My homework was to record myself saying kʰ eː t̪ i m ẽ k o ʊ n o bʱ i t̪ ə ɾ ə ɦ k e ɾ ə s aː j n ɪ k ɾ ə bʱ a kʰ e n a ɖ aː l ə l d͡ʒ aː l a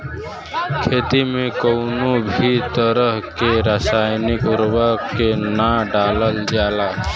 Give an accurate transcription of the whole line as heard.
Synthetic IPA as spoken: kʰ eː t̪ i m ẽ k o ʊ n o bʱ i t̪ ə ɾ ə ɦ k e ɾ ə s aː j n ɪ k ɾ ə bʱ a k e n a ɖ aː l ə l d͡ʒ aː l a